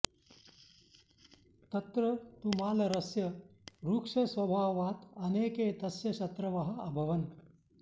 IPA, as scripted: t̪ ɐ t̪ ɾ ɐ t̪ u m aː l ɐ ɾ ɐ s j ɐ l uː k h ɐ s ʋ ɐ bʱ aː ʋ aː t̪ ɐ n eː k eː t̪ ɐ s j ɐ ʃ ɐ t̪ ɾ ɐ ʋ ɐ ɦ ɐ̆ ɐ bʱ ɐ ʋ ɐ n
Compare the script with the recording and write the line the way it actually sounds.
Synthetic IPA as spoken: t̪ ɐ t̪ ɾ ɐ t̪ u m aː l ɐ ɾ ɐ s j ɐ ɾ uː k ʂ ɐ s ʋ ɐ bʱ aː ʋ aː t̪ ɐ n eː k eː t̪ ɐ s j ɐ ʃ ɐ t̪ ɾ ɐ ʋ ɐ ɦ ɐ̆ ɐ bʱ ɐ ʋ ɐ n

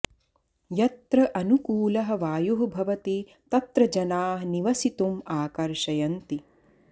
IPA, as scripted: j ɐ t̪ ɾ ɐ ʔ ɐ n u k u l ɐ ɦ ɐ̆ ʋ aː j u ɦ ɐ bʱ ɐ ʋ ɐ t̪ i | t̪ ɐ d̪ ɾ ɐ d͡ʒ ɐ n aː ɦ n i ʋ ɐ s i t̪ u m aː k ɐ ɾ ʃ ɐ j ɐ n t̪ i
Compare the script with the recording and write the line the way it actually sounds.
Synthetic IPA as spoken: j ɐ t̪ ɾ ɐ ʔ ɐ n u k uː l ɐ ɦ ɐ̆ ʋ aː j u ɦ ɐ bʱ ɐ ʋ ɐ t̪ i | t̪ ɐ t̪ ɾ ɐ d͡ʒ ɐ n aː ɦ n i ʋ ɐ s i t̪ u m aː k ɐ ɾ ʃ ɐ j ɐ n t̪ i

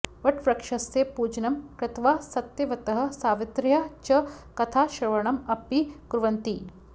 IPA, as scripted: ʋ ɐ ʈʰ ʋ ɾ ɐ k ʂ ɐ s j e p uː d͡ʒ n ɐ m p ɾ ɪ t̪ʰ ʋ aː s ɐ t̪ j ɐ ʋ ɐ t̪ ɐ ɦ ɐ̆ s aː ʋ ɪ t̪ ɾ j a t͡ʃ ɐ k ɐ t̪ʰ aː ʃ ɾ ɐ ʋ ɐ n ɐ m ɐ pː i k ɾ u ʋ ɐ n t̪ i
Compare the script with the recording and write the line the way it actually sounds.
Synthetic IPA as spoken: ʋ ɐ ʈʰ ʋ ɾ ɐ k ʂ ɐ s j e p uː d͡ʒ n ɐ m k ɾ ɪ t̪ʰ ʋ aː s ɐ t̪ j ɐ ʋ ɐ t̪ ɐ ɦ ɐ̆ s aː ʋ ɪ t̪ ɾ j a t͡ʃ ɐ k ɐ t̪ʰ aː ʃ ɾ ɐ ʋ ɐ ɳ ɐ m ɐ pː i k ɾ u ʋ ɐ n t̪ i

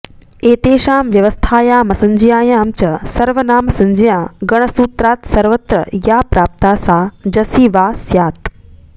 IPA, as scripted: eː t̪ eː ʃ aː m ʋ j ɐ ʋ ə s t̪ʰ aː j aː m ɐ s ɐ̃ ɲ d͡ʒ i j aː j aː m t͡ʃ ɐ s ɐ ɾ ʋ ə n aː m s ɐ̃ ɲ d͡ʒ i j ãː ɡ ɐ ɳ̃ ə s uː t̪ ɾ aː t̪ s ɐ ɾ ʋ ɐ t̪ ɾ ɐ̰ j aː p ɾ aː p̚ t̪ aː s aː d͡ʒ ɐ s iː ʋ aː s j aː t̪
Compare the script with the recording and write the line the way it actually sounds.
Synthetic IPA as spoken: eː t̪ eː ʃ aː m ʋ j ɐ ʋ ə s t̪ʰ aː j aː m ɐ s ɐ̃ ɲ d͡ʒ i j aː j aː m t͡ʃ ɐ s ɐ ɾ ʋ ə n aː m s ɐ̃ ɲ d͡ʒ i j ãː ɡ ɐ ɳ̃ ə s uː t̪ ɾ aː t̪ s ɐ ɾ ʋ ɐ t̪ ɾ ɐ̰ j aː p ɾ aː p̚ t̪ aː s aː d͡ʒ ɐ s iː ʋ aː s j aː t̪

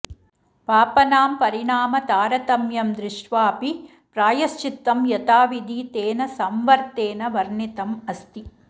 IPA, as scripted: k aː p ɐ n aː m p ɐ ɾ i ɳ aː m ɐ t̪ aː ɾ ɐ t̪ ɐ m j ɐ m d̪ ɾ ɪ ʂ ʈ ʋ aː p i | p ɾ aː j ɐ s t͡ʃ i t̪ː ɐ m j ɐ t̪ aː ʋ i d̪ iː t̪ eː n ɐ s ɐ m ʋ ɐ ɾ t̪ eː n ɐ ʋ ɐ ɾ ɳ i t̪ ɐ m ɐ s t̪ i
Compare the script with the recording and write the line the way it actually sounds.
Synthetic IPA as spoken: p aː p ɐ n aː m p ɐ ɾ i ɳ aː m ɐ t̪ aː ɾ ɐ t̪ ɐ m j ɐ m d̪ ɾ ɪ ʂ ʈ ʋ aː p i | p ɾ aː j ɐ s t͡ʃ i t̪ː ɐ m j ɐ t̪ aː ʋ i d̪ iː t̪ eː n ɐ s ɐ m ʋ ɐ ɾ t̪ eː n ɐ ʋ ɐ ɾ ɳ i t̪ ɐ m ɐ s t̪ i

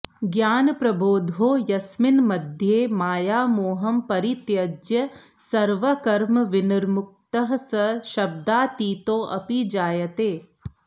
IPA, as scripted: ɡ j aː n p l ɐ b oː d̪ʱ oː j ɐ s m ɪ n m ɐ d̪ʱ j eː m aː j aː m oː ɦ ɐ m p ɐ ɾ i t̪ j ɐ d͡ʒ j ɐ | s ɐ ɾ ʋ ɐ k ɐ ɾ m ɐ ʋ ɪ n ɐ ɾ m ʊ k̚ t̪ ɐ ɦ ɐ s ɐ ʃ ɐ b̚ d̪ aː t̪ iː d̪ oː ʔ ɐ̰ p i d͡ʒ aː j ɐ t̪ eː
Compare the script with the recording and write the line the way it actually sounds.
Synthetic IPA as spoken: ɡ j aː n p ɾ ɐ b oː d̪ʱ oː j ɐ s m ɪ n m ɐ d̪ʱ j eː m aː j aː m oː ɦ ɐ m p ɐ ɾ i t̪ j ɐ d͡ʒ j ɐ | s ɐ ɾ ʋ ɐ k ɐ ɾ m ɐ ʋ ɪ n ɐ ɾ m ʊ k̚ t̪ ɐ ɦ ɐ s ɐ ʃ ɐ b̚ d̪ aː t̪ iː t̪ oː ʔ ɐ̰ p i d͡ʒ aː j ɐ t̪ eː

